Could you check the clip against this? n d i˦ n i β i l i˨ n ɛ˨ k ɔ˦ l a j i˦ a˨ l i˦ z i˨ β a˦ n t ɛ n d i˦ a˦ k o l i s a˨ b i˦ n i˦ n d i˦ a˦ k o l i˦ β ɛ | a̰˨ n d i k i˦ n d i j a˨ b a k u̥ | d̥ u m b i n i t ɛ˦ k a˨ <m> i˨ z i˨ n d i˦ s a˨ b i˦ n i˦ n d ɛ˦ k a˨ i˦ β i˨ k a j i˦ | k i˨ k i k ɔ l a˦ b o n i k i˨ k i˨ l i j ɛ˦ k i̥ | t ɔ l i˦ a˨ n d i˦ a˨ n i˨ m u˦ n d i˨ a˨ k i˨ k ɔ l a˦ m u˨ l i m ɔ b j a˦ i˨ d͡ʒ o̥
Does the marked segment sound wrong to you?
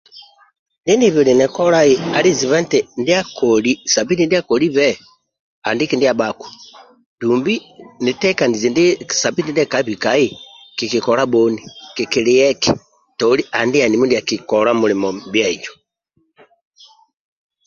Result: yes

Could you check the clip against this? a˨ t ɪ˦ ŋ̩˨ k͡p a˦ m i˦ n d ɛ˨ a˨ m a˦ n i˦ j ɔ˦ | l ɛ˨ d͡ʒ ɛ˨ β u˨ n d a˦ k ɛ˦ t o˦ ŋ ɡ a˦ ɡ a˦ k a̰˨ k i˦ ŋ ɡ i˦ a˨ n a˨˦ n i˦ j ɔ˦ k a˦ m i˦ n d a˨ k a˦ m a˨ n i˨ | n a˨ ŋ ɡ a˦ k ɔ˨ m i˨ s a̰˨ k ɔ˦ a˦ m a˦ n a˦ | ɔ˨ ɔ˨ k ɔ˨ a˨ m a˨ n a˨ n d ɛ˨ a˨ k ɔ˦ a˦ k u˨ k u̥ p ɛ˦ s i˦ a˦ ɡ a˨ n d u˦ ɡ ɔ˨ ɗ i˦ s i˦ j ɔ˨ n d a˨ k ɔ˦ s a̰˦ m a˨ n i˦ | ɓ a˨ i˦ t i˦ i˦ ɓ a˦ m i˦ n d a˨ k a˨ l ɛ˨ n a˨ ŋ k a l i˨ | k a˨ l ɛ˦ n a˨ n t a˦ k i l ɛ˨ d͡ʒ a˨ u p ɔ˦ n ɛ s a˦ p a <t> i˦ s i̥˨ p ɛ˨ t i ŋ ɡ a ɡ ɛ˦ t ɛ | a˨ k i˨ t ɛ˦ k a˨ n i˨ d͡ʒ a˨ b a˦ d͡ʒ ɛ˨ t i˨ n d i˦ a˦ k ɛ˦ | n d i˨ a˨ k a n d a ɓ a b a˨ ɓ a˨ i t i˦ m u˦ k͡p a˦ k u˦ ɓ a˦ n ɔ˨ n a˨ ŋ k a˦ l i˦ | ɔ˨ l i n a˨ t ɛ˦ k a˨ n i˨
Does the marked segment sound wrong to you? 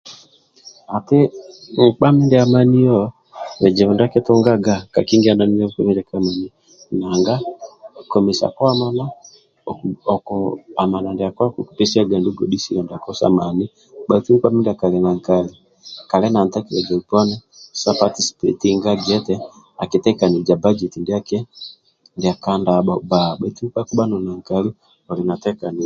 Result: no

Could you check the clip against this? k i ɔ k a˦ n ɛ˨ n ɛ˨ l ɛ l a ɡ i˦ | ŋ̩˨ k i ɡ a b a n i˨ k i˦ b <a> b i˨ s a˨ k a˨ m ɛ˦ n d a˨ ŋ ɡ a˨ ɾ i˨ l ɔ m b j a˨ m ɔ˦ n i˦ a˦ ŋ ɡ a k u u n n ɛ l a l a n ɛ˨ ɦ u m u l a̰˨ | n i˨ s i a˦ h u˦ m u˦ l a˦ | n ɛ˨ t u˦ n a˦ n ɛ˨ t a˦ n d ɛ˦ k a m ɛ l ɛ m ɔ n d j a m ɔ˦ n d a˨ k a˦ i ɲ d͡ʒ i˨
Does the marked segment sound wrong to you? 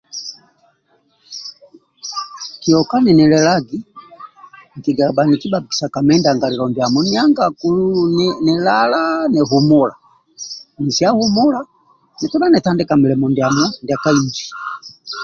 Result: no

